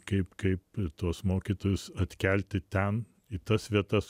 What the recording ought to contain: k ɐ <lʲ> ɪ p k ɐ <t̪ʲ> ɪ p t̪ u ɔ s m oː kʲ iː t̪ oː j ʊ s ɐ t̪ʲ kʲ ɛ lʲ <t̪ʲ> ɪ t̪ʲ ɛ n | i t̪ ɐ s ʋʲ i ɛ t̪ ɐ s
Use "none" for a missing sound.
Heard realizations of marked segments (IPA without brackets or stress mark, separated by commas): none, none, t̪ʲ